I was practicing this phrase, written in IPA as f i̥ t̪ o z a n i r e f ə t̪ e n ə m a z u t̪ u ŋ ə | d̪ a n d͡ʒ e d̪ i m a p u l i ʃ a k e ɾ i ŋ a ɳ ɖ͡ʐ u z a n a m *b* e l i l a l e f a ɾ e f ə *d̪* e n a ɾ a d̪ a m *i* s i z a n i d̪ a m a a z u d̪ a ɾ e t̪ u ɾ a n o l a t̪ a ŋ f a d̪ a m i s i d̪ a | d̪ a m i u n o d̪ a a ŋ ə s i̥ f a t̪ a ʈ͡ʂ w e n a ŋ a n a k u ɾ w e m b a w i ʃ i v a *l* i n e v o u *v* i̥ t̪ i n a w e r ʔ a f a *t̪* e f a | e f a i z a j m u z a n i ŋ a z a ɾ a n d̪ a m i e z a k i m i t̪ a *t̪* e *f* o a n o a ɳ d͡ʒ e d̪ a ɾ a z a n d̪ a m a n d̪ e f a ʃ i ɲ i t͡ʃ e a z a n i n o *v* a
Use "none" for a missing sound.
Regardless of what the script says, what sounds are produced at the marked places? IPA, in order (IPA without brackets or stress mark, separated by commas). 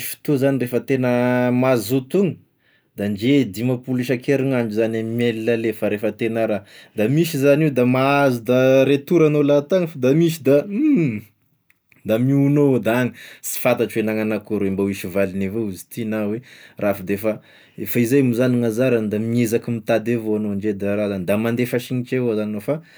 m, t̪, i, l, z, d̪, d̪, v, f